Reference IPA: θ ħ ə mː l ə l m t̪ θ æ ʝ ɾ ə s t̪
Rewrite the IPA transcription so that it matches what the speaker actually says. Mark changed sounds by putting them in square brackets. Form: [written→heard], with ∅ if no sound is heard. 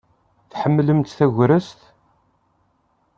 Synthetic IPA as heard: θ ħ ə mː l ə [l→∅] m t̪ θ æ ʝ ɾ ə s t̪